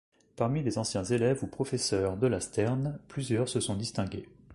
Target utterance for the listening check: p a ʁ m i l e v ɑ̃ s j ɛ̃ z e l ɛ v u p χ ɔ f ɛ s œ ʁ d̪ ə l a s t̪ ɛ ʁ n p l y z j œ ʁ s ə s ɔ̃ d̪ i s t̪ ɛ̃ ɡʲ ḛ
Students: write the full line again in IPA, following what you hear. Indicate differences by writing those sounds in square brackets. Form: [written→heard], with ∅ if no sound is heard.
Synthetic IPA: p a ʁ m i l e [v→z] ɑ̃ s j ɛ̃ z e l ɛ v u p χ ɔ f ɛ s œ ʁ d̪ ə l a s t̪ ɛ ʁ n p l y z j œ ʁ s ə s ɔ̃ d̪ i s t̪ ɛ̃ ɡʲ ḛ

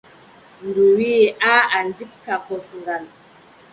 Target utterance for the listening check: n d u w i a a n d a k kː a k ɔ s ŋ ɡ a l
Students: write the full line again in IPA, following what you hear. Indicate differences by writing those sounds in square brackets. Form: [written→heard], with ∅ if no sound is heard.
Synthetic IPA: n d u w i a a n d [a→i] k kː a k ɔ s ŋ ɡ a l

